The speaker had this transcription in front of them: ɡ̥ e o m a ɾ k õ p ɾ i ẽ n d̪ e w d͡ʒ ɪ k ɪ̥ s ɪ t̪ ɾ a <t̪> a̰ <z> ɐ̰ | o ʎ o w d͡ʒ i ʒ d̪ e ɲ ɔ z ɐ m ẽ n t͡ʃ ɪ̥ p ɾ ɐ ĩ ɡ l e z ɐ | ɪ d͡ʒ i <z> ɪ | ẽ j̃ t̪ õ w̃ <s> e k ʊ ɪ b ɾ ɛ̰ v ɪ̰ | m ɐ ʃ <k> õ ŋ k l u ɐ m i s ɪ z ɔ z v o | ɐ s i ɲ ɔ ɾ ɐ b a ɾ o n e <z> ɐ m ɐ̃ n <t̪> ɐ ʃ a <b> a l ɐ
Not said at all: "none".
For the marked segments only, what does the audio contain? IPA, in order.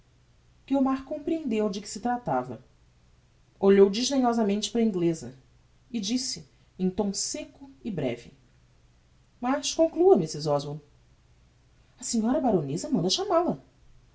t̪, v, s, s, k, z, d̪, m

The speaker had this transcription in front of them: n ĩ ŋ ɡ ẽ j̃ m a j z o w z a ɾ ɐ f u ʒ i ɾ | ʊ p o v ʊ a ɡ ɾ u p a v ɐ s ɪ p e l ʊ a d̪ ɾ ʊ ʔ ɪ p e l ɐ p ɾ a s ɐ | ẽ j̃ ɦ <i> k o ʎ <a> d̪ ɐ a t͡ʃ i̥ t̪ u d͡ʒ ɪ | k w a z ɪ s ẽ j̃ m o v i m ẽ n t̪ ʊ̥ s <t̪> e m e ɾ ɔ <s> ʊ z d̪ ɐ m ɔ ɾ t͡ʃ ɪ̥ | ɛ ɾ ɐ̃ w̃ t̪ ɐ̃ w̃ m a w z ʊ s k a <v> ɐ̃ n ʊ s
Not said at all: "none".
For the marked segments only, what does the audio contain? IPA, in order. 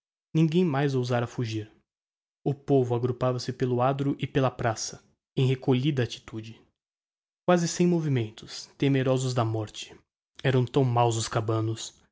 e, i, t̪, z, b

